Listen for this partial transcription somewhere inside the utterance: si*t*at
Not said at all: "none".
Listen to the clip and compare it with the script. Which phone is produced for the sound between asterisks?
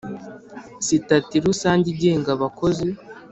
t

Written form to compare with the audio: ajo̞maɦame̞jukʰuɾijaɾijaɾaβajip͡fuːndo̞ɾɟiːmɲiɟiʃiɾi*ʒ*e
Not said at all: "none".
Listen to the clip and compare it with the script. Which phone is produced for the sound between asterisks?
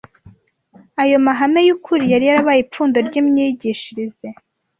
z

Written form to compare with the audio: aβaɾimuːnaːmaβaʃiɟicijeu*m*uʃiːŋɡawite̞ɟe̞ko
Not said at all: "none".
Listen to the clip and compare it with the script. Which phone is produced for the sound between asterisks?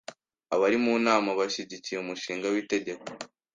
m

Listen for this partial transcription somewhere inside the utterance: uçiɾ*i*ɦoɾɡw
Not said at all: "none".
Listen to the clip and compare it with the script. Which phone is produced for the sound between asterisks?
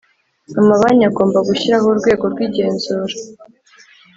a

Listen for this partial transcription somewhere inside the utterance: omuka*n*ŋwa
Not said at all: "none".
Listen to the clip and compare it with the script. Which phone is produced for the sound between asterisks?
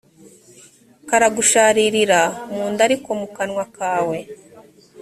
n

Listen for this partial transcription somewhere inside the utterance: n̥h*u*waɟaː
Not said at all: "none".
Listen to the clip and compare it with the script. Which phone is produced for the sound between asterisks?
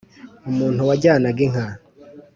u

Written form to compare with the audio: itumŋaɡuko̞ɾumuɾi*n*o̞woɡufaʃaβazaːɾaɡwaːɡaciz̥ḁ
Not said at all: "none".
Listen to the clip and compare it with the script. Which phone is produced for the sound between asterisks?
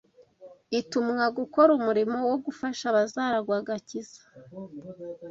m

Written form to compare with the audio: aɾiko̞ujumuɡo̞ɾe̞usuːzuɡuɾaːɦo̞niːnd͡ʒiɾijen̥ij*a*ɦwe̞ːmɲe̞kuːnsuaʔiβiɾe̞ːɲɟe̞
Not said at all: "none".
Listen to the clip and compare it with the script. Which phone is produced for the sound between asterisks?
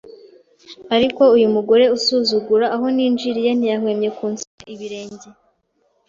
a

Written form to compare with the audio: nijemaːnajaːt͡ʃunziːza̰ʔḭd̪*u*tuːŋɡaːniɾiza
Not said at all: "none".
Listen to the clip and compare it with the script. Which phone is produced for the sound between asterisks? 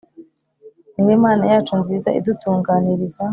u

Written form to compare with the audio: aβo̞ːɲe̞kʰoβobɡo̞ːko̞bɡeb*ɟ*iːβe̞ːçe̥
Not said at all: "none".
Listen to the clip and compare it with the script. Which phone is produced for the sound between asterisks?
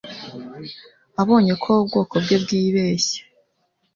ɡ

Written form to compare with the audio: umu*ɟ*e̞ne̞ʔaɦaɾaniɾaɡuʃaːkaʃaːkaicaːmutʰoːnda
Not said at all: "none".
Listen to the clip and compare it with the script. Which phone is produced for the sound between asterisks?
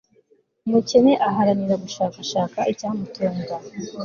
c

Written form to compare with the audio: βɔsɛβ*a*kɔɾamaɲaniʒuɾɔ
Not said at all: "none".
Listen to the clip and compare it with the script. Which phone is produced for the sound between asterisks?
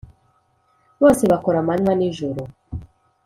a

